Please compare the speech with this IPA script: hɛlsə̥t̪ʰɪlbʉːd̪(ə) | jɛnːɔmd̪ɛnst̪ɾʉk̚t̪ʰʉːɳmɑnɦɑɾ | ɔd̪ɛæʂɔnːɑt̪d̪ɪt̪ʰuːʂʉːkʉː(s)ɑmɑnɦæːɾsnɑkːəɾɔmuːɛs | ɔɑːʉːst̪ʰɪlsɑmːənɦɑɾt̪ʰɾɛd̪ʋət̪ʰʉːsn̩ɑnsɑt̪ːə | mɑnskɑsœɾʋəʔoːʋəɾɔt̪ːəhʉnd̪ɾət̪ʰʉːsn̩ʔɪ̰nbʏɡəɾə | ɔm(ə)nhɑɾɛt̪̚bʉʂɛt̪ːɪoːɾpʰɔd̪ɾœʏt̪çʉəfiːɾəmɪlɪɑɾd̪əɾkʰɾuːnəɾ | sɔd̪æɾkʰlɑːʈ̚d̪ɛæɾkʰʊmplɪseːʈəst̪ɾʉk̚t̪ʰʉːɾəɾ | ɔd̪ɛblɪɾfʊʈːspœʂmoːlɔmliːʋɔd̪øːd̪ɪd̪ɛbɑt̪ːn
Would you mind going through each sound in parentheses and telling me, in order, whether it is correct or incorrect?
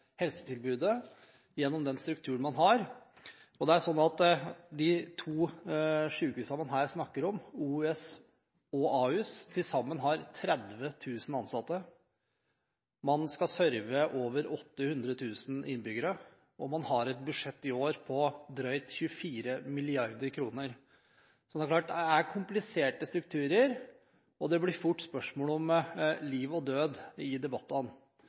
correct, correct, incorrect

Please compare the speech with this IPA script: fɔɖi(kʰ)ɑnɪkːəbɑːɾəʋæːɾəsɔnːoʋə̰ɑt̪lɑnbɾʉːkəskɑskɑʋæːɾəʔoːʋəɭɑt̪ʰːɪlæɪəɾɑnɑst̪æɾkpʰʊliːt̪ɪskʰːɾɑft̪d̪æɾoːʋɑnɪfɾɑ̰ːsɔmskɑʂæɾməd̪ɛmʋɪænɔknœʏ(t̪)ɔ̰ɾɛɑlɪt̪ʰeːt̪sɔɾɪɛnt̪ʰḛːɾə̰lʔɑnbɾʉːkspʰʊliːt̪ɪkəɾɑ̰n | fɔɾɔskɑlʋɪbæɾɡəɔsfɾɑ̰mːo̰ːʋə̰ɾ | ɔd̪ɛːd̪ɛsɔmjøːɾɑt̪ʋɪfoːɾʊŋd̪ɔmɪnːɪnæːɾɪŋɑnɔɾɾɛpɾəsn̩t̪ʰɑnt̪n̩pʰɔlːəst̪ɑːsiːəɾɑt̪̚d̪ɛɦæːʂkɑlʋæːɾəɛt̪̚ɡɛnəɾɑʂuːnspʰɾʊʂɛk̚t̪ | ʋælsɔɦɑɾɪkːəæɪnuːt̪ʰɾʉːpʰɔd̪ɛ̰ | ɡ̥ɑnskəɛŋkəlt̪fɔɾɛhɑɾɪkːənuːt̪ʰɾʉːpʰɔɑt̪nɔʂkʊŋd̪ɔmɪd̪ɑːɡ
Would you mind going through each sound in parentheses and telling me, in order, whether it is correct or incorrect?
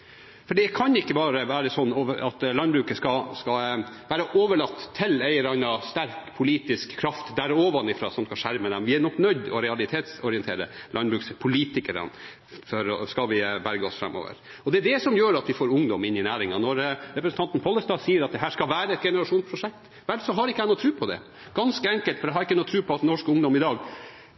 correct, incorrect

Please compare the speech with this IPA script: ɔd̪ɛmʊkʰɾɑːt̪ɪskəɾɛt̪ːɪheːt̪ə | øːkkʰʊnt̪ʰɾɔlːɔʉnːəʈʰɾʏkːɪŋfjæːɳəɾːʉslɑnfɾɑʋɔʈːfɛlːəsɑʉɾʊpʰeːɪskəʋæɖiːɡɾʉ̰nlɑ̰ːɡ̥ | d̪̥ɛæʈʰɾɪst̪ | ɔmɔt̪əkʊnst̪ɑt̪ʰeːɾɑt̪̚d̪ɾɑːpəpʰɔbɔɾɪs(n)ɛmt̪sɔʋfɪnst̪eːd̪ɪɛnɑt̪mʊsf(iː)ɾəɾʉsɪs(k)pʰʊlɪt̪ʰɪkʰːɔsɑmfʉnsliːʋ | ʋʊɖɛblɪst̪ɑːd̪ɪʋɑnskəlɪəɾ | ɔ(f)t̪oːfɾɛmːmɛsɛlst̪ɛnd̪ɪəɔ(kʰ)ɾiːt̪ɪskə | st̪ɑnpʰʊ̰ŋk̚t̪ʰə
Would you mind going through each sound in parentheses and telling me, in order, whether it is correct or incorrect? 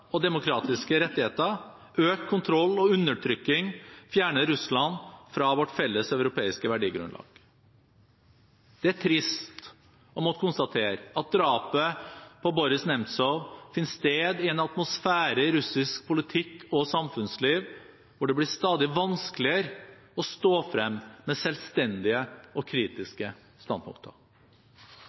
correct, incorrect, correct, incorrect, correct

